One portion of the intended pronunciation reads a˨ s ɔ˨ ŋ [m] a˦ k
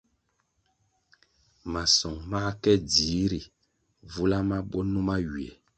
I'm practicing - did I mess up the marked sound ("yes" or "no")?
no